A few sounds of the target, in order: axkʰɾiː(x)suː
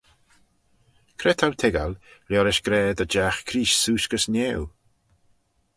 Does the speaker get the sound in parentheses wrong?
yes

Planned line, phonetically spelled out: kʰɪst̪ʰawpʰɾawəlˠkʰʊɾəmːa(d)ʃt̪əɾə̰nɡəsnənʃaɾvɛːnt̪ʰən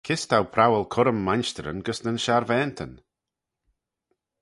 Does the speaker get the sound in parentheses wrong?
yes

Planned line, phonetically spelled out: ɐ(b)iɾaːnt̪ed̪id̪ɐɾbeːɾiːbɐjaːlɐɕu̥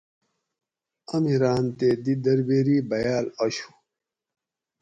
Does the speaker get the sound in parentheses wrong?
yes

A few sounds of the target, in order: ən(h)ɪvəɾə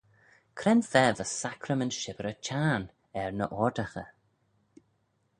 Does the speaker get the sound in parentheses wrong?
yes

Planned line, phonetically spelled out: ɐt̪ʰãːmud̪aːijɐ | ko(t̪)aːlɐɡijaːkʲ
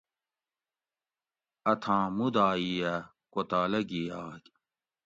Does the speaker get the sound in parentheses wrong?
no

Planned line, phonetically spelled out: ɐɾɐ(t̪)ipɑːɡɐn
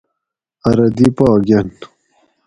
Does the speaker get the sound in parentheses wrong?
yes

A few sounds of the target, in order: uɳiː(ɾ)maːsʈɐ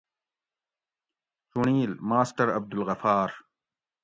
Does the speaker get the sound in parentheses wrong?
yes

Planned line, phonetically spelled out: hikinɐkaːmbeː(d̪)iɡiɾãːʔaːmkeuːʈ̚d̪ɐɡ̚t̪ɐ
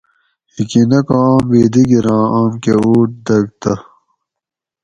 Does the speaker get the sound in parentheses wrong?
no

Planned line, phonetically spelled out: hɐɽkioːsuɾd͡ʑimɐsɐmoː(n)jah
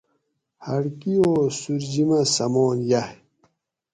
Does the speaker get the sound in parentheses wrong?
no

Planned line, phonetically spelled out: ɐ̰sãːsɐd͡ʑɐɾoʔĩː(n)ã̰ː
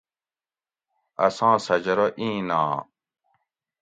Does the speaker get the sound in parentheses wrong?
no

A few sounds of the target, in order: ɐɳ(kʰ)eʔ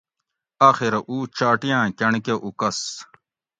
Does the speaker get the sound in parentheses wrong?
yes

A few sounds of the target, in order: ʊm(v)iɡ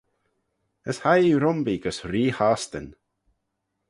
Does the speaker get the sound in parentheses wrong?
yes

